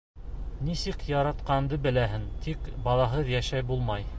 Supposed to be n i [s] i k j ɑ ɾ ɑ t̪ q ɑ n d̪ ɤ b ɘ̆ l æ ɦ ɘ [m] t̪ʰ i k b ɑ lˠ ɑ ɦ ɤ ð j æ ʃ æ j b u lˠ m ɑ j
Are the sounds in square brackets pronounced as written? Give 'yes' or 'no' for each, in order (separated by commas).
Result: yes, no